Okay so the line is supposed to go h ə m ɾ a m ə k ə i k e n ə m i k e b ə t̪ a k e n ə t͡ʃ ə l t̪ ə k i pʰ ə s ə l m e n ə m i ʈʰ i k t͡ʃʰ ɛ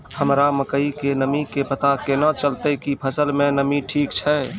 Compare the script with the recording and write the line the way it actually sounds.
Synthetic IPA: h ə m ɾ a m ə k ə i k e n ə m i k e p ə t̪ a k e n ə t͡ʃ ə l t̪ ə k i pʰ ə s ə l m e n ə m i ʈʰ i k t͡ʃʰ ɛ

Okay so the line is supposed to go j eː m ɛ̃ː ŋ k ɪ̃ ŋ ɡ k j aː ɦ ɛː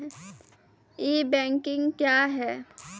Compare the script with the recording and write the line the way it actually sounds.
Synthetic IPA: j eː b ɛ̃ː ŋ k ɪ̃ ŋ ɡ k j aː ɦ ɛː

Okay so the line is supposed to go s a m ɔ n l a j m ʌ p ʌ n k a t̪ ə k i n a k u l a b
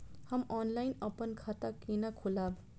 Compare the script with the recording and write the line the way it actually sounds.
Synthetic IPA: h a m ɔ n l a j n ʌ p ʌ n kʰ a t̪ a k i n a kʰ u l a b

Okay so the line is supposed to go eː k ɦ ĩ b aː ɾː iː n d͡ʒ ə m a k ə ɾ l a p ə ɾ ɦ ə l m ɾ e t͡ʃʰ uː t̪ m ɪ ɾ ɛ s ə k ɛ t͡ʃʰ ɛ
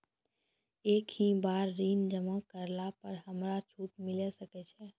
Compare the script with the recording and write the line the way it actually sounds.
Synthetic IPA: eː k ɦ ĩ b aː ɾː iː n d͡ʒ ə m a k ə ɾ l a p ə ɾ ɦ ə m ɾ a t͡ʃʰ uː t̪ m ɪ l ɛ s ə k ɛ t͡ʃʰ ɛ

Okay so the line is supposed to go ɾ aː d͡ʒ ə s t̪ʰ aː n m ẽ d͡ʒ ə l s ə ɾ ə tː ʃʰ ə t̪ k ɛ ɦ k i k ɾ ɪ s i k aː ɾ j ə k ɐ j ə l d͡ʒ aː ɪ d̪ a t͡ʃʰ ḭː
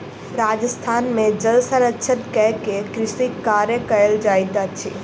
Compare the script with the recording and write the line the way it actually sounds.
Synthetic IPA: ɾ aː d͡ʒ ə s t̪ʰ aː n m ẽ d͡ʒ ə l s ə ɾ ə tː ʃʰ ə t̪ k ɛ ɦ k e k ɾ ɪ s i k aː ɾ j ə k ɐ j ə l d͡ʒ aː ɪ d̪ a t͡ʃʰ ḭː

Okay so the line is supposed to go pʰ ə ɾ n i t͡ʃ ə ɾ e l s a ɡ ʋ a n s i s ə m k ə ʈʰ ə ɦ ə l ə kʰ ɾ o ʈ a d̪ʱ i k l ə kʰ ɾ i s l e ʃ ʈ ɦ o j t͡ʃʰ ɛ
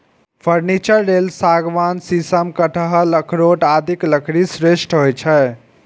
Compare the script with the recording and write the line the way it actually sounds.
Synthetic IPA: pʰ ə ɾ n i t͡ʃ ə ɾː e l s a ɡ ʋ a n s i s ə m k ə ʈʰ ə ɦ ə l ə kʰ ɾ o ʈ a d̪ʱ i k l ə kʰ ɾ i s ɾ e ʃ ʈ ɦ o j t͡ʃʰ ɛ

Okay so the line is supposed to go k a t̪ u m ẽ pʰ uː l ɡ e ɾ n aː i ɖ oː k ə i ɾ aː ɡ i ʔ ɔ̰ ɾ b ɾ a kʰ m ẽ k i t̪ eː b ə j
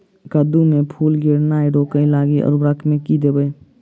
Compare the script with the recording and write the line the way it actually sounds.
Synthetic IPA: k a d̪ u m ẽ pʰ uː l ɡ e ɾ n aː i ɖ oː k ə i l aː ɡ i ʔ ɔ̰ ɾ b ɾ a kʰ m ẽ k i d̪ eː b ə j

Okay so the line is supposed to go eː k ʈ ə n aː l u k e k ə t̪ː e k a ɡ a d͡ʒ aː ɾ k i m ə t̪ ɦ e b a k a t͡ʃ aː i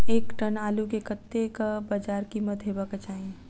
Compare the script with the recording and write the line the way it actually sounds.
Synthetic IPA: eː k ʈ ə n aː l u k e k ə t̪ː e k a b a d͡ʒ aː ɾ k i m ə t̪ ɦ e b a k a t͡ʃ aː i

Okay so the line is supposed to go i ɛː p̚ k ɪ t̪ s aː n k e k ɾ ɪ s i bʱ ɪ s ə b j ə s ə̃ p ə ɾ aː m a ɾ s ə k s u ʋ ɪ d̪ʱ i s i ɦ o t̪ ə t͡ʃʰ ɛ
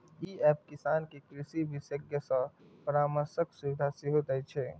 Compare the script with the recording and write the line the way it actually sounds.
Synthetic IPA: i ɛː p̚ k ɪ s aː n k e k ɾ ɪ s i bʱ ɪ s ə ɡ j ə s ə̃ p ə ɾ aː m ə ɾ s ə k s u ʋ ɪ d̪ʱ a s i ɦ o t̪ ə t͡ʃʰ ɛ

